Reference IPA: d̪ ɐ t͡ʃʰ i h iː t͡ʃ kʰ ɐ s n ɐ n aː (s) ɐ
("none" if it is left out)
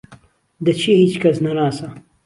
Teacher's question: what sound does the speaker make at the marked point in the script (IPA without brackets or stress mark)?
s